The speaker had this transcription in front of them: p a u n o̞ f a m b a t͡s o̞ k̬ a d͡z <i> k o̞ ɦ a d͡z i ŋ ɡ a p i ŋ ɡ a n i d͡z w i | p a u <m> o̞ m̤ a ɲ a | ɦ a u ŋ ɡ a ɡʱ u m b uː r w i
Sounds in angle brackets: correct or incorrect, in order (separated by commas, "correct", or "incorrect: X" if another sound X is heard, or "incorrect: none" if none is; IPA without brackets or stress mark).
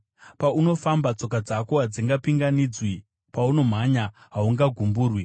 incorrect: a, incorrect: n